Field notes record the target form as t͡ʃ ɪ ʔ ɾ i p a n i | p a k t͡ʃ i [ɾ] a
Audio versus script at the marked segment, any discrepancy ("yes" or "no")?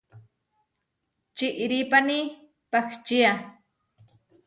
yes